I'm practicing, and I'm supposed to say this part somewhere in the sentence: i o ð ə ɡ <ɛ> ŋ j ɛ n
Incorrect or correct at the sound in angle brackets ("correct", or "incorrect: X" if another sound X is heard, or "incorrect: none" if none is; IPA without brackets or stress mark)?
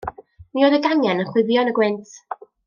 incorrect: a